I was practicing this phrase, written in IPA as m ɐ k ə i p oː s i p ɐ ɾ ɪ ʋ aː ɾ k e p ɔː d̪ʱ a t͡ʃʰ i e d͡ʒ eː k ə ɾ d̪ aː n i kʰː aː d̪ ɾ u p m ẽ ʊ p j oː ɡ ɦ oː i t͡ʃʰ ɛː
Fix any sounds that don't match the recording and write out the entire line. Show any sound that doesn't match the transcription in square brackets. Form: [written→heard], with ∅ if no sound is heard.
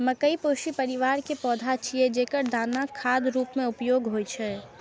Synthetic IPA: m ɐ k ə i p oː [s→ʃ] i p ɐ ɾ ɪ ʋ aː ɾ k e p ɔː d̪ʱ a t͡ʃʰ i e d͡ʒ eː k ə ɾ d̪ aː n [i→a] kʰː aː d̪ ɾ [u→uː] p m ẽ ʊ p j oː ɡ ɦ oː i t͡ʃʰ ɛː

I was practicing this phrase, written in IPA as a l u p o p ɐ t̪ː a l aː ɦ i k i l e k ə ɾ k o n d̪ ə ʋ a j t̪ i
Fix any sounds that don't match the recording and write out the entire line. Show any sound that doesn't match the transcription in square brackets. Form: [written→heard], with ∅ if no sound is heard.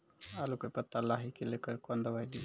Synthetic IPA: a l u [p→k] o p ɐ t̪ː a l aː ɦ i k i l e k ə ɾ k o n d̪ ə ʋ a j [t̪→d̪] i

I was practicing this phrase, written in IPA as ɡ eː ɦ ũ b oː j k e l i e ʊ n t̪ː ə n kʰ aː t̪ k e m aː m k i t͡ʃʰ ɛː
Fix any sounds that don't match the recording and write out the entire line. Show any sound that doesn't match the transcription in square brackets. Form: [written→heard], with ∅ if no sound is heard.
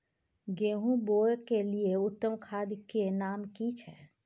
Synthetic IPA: ɡ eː ɦ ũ b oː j k e l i e ʊ [n→∅] t̪ː ə [n→m] kʰ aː [t̪→d̪] k e [m→n] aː m k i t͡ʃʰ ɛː

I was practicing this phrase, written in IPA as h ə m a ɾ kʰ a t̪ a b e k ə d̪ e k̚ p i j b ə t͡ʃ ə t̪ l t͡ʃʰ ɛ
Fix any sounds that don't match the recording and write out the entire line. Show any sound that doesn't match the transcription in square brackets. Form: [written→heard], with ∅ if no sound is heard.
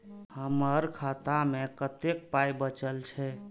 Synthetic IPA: h ə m [a→ə] ɾ kʰ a t̪ a [b→m] e k ə [d̪→t̪] e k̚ p [i→a] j b ə t͡ʃ ə [t̪→∅] l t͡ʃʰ ɛ

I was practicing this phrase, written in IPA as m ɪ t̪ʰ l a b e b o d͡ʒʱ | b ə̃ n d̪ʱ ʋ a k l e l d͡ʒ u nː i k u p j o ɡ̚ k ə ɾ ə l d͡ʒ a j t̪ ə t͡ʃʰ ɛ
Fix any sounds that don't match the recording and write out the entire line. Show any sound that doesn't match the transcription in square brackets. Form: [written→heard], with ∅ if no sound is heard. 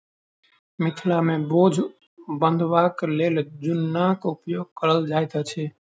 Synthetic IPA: m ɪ t̪ʰ l a [b→m] e b o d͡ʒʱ | b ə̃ n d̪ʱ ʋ a k l e l d͡ʒ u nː [i→a] k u p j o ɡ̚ k ə ɾ ə l d͡ʒ a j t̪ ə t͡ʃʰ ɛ

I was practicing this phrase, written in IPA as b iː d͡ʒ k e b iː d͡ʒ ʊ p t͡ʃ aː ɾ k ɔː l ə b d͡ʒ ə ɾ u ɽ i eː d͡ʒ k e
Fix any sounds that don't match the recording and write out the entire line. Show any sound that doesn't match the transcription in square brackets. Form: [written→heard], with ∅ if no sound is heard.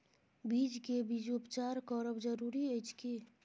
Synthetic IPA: b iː d͡ʒ k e b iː d͡ʒ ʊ p t͡ʃ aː ɾ k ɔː [l→ɾ] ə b d͡ʒ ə ɾ u [ɽ→ɾ] i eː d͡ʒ k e

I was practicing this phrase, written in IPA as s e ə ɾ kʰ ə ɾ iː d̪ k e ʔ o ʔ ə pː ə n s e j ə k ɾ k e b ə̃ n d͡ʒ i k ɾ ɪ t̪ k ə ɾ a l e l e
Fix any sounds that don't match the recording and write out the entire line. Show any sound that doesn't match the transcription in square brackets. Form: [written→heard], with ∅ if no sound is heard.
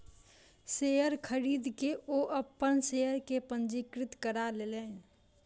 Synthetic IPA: s e ə ɾ kʰ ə ɾ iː d̪ k e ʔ o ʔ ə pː ə n s e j ə [k→∅] ɾ k e [b→p] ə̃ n d͡ʒ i k ɾ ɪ t̪ k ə ɾ a l e l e

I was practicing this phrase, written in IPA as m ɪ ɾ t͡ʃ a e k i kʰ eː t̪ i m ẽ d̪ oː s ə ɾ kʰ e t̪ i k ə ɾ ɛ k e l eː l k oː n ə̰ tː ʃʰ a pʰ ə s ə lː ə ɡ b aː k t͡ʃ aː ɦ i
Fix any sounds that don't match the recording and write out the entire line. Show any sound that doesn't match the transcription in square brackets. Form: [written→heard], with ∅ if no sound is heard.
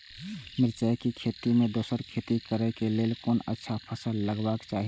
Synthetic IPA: m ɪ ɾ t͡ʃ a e k i kʰ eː t̪ i m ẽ d̪ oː s ə ɾ kʰ e t̪ i k ə ɾ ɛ k e l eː l k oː n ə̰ tː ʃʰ a pʰ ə s ə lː ə ɡ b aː k t͡ʃ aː ɦ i

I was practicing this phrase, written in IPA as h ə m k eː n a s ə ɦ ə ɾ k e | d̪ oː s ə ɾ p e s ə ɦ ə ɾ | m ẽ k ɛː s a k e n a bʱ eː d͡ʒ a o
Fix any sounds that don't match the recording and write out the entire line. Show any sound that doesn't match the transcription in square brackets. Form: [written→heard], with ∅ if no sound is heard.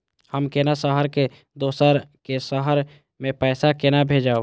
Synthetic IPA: h ə m k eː n a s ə ɦ ə ɾ k e | d̪ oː s ə ɾ [p→k] e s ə ɦ ə ɾ | m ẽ [k→p] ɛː s a k e n a bʱ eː d͡ʒ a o

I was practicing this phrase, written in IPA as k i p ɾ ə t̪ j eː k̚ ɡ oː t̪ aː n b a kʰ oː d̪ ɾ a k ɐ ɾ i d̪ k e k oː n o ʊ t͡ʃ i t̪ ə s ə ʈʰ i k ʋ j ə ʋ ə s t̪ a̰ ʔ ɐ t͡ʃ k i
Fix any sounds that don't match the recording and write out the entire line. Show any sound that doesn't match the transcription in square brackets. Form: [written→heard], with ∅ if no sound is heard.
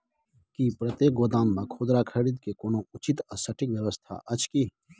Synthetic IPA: k i p ɾ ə t̪ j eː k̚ ɡ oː [t̪→d̪] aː n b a kʰ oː d̪ ɾ a [k→kʰ] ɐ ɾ i d̪ k e k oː n o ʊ t͡ʃ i t̪ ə s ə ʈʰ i k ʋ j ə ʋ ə s [t̪→t̪ʰ] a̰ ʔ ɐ t͡ʃ k i

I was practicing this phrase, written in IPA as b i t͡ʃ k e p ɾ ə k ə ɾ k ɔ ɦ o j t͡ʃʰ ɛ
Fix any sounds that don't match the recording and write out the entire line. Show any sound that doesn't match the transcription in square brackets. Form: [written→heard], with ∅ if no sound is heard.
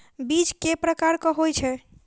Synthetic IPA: b i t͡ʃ k e p ɾ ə k [ə→a] ɾ k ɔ ɦ o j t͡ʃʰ ɛ

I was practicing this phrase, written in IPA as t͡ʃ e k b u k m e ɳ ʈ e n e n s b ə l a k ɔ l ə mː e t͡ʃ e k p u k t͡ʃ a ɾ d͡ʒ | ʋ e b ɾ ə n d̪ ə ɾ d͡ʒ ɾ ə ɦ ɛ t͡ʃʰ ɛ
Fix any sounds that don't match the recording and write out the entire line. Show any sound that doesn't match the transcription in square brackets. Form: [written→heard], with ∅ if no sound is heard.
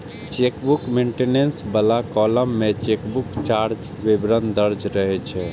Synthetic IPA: t͡ʃ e k b u k m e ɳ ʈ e n e n s b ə l a k ɔ l ə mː e t͡ʃ e k [p→b] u k t͡ʃ a ɾ d͡ʒ | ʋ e b ɾ ə n d̪ ə ɾ d͡ʒ ɾ ə ɦ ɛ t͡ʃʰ ɛ

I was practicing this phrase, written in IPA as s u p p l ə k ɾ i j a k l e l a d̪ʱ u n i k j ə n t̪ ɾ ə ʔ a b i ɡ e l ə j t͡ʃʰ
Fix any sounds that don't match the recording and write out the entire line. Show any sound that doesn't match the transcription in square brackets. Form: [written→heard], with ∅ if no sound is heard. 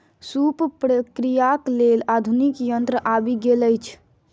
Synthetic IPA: s u p p [l→ɾ] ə k ɾ i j a k l e l a d̪ʱ u n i k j ə n t̪ ɾ ə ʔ a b i ɡ e l ə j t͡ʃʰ

